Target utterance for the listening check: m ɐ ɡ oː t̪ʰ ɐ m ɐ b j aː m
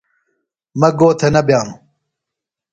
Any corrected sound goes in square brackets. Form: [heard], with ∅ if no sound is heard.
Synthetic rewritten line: m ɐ ɡ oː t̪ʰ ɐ [n] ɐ b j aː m